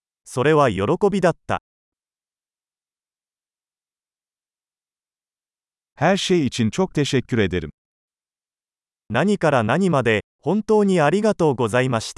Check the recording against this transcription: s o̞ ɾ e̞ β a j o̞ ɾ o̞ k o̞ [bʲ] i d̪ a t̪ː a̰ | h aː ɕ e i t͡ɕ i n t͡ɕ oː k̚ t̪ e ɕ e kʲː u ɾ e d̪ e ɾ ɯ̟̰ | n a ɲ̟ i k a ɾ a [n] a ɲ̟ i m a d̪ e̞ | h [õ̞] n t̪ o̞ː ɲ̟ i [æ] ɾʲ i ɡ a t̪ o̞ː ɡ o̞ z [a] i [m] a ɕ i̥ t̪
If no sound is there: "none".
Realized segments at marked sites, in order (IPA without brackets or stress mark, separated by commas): bʲ, n, õ̞, a, a, m